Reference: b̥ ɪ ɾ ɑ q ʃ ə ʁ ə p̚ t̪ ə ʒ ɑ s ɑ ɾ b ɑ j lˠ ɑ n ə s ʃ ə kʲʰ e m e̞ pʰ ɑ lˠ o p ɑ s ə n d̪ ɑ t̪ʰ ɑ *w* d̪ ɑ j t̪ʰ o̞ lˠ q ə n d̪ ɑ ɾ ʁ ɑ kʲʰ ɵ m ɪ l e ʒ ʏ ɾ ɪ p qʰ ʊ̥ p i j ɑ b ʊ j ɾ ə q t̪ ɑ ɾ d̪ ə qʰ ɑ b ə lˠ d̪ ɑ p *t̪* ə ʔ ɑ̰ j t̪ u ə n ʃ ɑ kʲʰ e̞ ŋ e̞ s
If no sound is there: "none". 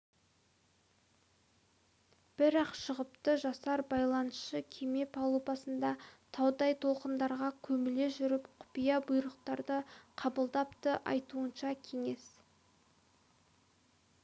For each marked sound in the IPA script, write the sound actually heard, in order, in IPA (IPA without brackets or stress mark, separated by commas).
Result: w, t̪